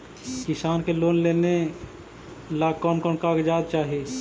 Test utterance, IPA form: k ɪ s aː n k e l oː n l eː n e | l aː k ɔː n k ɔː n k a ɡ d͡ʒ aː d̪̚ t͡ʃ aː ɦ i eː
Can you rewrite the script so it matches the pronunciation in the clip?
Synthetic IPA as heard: k ɪ s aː n k e l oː n l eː n e | l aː k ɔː n k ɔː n k a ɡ d͡ʒ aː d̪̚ t͡ʃ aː ɦ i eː